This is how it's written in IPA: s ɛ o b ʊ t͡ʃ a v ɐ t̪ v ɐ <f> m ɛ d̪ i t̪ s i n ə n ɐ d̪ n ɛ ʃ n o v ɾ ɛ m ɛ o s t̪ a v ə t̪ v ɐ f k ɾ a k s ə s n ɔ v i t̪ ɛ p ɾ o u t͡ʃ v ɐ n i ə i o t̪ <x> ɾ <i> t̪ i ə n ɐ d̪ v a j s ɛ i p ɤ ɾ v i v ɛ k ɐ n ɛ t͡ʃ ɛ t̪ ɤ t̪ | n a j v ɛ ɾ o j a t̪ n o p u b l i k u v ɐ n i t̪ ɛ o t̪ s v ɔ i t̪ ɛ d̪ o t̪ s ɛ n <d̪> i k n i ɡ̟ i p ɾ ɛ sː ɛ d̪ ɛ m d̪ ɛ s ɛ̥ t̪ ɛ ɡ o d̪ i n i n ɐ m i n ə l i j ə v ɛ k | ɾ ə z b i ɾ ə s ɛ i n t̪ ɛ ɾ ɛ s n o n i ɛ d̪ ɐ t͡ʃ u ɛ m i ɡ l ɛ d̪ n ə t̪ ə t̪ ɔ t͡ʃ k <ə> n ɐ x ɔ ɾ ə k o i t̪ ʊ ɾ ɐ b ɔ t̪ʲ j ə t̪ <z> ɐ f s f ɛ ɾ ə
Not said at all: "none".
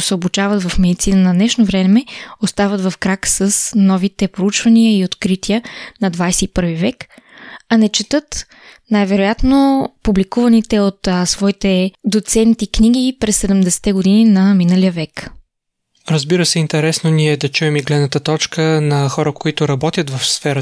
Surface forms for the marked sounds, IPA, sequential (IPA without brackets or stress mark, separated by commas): f, k, i, t̪, ə, v